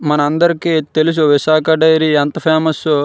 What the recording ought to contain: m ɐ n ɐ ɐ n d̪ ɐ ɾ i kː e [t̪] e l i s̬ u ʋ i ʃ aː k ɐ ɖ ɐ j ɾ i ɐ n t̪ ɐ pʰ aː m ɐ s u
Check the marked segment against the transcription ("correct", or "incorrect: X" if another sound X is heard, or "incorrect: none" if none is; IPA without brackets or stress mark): correct